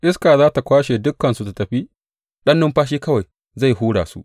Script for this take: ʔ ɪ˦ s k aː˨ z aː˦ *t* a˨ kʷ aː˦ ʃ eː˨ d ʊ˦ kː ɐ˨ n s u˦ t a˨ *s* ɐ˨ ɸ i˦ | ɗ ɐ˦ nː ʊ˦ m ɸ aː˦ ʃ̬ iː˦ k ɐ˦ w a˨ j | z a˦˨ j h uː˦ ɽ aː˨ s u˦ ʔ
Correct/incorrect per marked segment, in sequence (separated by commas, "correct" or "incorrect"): correct, incorrect